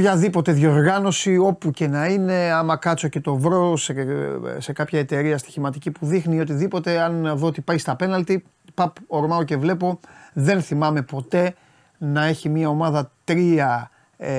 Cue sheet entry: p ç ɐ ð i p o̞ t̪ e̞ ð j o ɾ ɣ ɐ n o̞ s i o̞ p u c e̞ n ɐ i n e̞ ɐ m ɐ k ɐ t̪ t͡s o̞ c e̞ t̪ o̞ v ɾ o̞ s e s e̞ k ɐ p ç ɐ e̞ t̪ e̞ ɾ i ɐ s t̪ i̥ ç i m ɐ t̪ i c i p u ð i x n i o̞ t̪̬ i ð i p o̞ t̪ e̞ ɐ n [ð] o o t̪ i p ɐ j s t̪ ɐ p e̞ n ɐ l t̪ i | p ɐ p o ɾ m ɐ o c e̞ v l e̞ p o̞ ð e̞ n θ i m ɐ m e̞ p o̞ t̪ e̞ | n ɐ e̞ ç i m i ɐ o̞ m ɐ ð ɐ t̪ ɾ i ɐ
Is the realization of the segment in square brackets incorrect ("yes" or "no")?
no